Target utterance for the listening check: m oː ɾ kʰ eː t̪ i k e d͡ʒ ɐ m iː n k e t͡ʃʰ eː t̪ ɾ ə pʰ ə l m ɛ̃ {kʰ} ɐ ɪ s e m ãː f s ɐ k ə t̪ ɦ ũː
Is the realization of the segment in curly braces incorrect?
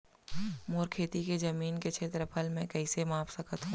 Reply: yes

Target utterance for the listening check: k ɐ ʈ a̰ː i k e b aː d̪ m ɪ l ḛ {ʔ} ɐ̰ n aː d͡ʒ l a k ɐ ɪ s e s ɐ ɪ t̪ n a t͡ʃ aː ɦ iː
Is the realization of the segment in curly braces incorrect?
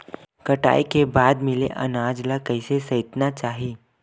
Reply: no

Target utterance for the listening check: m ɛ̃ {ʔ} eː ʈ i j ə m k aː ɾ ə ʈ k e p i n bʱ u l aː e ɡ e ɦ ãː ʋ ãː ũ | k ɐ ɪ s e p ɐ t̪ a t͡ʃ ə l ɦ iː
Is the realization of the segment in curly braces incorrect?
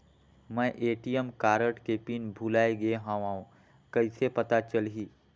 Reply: no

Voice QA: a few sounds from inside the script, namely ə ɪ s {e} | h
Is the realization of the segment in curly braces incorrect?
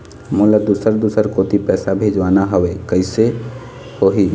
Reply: no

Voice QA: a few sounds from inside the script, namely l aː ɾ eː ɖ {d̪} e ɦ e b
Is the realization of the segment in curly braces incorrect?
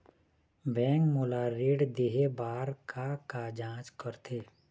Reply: no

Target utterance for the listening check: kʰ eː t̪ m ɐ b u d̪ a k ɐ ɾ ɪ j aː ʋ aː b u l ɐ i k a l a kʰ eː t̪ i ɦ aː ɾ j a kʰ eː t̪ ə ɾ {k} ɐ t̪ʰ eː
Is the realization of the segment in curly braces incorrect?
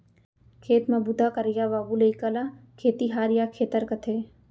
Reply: no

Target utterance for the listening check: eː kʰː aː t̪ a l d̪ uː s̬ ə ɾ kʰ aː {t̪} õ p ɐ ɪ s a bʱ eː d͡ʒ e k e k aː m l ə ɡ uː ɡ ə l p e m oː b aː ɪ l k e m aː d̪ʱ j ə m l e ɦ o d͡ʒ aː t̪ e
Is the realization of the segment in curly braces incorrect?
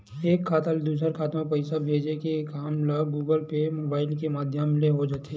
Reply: no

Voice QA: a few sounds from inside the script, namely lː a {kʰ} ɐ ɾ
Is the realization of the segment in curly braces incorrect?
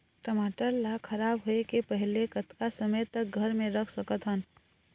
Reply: no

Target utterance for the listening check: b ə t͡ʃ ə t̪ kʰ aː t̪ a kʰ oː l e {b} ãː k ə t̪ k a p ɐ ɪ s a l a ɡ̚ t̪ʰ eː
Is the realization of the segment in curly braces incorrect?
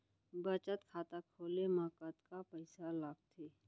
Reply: yes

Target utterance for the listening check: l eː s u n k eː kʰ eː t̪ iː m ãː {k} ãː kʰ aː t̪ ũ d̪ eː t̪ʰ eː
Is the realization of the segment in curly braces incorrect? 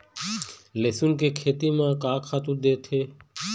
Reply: no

